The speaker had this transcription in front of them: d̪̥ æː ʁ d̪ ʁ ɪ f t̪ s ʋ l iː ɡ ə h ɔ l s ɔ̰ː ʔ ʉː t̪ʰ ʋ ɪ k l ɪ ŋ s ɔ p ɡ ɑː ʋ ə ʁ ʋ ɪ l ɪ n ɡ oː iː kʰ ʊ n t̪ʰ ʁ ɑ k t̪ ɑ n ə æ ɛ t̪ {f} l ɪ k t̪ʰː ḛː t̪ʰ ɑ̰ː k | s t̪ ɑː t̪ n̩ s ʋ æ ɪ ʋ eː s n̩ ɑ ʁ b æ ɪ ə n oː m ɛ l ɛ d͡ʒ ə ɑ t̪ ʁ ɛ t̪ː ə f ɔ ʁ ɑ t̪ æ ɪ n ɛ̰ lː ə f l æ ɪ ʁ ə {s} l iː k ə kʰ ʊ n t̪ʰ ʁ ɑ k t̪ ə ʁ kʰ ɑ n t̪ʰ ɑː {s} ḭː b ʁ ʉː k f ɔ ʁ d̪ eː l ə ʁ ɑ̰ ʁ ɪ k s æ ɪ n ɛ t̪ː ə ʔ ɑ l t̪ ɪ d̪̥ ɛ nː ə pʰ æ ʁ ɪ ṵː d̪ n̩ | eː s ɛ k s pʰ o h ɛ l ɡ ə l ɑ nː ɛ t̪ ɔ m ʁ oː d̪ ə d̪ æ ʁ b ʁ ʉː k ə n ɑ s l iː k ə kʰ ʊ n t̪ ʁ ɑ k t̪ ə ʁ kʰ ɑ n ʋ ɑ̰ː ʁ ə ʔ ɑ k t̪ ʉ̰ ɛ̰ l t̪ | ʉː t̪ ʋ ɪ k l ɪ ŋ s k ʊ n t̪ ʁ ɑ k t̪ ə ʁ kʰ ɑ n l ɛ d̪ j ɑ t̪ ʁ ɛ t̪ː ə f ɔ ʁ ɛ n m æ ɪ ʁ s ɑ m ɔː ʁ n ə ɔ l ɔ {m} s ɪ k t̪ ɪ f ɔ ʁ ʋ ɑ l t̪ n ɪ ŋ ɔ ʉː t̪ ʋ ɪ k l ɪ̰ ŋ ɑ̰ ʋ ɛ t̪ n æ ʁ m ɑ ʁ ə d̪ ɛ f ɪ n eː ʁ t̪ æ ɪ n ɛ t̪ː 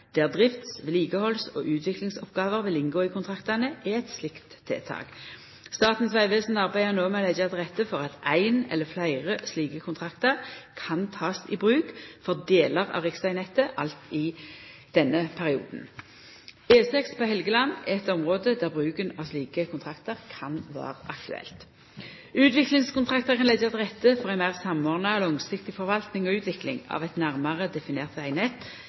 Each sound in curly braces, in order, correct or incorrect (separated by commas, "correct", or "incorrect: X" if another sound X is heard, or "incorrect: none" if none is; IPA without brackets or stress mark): incorrect: s, correct, correct, incorrect: ŋ